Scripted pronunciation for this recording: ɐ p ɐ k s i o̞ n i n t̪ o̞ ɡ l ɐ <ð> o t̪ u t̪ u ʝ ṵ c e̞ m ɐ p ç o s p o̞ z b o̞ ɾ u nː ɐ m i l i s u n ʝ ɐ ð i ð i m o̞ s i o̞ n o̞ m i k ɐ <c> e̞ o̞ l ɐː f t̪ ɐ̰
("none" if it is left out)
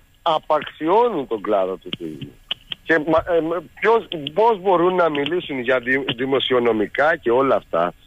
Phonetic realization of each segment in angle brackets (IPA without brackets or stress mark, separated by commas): ð, c